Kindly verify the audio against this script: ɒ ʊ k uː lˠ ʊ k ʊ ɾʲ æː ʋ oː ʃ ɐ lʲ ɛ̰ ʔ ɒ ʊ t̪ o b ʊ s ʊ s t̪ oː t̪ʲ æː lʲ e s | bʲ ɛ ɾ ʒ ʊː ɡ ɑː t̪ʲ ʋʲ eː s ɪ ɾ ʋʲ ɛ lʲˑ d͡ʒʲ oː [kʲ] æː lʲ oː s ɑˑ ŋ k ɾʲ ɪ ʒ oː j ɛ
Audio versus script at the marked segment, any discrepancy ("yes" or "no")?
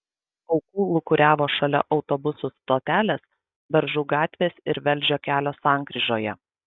no